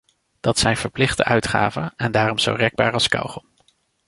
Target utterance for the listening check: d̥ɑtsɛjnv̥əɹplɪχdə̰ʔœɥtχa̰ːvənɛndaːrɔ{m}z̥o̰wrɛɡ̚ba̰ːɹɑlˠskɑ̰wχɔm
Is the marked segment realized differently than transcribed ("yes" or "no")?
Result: no